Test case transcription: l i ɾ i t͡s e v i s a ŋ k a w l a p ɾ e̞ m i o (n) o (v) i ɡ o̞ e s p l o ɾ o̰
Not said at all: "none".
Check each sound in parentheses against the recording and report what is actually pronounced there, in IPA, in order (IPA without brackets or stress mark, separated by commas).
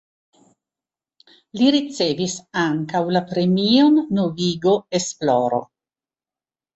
nː, v